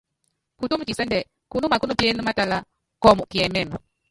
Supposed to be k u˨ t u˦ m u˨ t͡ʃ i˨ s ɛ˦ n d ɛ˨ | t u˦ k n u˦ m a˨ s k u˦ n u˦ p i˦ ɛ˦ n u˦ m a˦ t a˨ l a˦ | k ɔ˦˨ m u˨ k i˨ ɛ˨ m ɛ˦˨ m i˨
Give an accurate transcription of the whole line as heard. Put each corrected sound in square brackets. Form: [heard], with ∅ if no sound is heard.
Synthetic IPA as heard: k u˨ t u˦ m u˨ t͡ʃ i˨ s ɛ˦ n d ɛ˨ | [k] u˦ [∅] n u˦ m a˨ [∅] k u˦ n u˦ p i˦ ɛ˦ n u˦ m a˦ t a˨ l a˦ | k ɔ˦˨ m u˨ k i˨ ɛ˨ m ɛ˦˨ m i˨

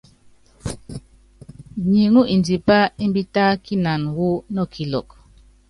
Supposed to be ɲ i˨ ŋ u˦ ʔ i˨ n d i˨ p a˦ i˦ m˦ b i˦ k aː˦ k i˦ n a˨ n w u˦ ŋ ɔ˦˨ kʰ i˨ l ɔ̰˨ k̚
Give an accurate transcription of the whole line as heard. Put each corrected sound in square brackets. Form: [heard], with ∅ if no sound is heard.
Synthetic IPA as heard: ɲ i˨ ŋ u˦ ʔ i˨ n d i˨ p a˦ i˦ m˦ b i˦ [t] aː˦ k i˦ n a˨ n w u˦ [n] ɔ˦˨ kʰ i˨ l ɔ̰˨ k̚

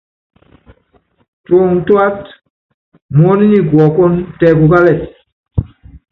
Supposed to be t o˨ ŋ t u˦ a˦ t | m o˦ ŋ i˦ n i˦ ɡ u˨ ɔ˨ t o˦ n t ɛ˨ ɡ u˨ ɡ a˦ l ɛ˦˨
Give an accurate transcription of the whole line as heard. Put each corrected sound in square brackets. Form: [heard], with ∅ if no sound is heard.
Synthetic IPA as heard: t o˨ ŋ t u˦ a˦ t | m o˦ [n] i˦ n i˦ ɡ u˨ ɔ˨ [k] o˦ n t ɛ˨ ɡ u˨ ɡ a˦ l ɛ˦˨

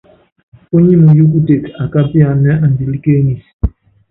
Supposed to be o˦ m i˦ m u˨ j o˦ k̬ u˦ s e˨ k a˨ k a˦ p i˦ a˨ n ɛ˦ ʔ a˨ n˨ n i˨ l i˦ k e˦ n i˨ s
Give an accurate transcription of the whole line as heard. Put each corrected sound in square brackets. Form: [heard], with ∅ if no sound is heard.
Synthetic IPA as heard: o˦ [ɲ] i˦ m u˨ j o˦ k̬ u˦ [t] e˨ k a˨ k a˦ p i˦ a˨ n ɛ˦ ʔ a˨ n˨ [d] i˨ l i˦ k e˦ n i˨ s

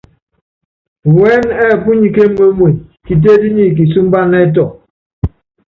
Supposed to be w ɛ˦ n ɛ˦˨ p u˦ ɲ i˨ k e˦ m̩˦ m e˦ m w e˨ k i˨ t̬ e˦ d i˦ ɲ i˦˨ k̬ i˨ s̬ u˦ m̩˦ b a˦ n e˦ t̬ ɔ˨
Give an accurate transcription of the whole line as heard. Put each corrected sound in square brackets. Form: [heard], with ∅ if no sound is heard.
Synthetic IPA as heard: w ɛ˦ n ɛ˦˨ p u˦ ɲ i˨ k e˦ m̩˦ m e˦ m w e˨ k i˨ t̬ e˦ d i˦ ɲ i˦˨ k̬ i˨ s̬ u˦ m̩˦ b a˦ n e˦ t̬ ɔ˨

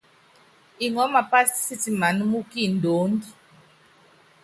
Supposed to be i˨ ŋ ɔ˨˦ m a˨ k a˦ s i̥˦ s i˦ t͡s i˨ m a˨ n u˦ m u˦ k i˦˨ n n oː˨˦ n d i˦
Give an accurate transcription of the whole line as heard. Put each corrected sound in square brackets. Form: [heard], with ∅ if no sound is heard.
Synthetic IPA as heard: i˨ ŋ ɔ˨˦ m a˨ [p] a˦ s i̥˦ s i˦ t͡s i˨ m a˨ n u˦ m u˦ k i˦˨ n [d] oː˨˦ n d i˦

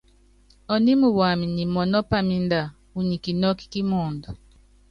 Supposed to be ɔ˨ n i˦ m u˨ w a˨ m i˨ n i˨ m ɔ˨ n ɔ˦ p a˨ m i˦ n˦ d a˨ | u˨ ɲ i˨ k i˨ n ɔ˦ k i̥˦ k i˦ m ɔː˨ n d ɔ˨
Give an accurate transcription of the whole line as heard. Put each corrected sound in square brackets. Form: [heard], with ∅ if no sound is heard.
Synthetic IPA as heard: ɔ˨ n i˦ m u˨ w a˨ m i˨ n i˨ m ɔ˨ n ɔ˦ p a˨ m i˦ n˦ d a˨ | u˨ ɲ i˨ k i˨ n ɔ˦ k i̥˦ k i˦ m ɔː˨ n d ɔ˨

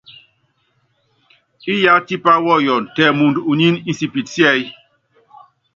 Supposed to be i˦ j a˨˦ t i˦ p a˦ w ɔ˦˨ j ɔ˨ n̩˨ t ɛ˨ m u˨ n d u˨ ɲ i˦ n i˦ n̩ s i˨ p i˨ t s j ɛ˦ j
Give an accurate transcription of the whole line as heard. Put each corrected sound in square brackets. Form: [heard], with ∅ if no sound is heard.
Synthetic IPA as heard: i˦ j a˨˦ t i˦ p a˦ w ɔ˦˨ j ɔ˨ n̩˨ t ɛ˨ m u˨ n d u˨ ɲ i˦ n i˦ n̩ s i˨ p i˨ t s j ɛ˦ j

